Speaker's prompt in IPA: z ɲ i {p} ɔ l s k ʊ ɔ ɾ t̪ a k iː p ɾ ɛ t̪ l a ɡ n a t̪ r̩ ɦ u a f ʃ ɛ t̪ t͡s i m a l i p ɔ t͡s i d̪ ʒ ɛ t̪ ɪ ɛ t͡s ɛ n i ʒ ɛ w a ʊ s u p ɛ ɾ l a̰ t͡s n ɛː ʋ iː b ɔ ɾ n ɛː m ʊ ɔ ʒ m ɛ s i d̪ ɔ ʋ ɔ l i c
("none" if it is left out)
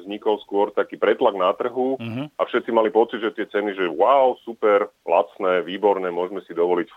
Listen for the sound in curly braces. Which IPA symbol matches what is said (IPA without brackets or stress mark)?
k